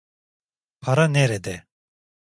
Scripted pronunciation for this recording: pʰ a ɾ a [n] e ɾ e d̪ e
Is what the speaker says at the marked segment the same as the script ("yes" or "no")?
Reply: yes